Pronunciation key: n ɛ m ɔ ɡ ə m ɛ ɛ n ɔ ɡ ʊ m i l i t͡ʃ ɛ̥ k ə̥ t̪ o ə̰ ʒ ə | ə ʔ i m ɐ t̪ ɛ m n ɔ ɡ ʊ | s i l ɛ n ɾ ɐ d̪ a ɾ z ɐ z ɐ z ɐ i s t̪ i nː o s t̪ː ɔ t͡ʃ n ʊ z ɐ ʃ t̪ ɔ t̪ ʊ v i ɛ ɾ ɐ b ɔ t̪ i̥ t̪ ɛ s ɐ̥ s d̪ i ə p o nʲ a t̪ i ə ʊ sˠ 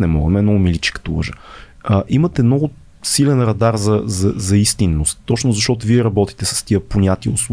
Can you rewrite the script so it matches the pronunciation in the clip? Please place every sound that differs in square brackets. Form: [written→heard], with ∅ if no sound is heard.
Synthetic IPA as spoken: n ɛ m ɔ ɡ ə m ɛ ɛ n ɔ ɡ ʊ m i l i t͡ʃ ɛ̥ k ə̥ t̪ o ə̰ ʒ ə | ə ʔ i m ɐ t̪ ɛ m n ɔ ɡ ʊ | s i l ɛ n ɾ ɐ d̪ a ɾ z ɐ z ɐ z ɐ i s t̪ i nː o s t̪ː ɔ t͡ʃ n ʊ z ɐ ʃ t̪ ɔ t̪ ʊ v i ɛ ɾ ɐ b ɔ t̪ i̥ t̪ ɛ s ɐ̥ s [d̪→t̪] i ə p o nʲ a t̪ i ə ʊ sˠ